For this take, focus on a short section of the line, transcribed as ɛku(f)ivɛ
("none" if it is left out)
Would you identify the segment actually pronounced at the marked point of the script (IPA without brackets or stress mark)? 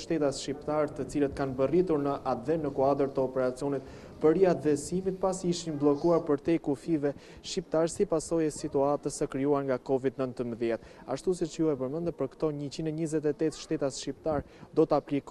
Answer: f